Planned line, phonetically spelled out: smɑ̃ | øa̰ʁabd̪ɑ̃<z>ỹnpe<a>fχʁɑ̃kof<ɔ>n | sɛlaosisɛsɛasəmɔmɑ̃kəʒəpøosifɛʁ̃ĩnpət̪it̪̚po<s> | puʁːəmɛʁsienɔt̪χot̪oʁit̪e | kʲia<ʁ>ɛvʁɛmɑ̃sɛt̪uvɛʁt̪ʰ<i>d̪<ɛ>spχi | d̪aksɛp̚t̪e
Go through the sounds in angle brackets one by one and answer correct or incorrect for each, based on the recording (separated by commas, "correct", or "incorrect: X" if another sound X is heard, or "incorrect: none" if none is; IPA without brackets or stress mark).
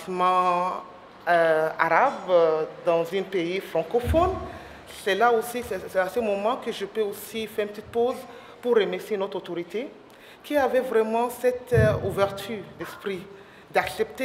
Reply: correct, incorrect: i, correct, incorrect: z, incorrect: v, incorrect: y, correct